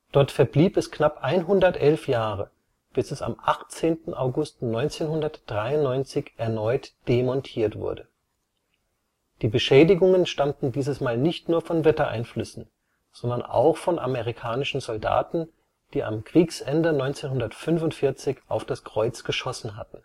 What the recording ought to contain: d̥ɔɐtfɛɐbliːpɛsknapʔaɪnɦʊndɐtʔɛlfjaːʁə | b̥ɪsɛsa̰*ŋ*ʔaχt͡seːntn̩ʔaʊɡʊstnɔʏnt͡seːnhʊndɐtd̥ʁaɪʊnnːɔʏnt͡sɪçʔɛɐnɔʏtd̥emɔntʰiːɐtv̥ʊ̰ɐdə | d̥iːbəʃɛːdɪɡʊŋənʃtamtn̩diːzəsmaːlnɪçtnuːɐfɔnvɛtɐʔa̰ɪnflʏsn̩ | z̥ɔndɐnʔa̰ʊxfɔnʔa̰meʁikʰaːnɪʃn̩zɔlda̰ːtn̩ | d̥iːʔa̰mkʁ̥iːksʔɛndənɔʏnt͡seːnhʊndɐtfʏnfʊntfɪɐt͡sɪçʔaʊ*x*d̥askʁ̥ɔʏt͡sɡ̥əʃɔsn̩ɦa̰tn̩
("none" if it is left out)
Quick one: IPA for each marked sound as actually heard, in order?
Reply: m, f

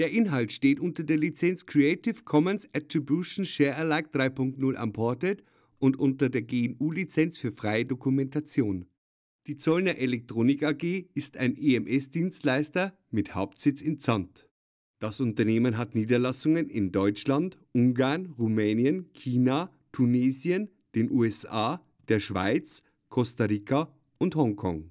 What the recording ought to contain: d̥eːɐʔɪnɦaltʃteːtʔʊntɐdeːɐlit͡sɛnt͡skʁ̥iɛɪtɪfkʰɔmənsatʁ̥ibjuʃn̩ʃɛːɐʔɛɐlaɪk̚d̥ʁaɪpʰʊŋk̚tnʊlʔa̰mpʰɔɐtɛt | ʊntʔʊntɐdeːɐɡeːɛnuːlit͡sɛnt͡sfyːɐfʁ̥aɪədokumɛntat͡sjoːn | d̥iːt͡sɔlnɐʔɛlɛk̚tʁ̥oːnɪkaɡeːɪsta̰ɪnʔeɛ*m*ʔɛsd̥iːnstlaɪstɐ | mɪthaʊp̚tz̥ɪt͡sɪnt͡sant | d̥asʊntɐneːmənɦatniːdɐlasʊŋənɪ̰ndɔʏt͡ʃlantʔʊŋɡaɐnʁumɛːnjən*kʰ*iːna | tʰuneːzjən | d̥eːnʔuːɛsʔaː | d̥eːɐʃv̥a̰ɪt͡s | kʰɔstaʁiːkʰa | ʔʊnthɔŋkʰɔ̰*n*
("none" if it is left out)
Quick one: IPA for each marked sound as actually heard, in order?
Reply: m, kʰ, ŋ

